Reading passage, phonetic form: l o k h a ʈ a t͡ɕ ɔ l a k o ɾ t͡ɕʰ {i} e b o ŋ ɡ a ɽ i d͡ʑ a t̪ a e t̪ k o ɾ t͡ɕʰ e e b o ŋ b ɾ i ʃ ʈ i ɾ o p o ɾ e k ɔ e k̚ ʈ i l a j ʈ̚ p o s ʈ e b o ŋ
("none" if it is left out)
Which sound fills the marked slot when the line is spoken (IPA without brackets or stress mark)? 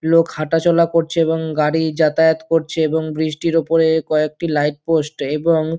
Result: e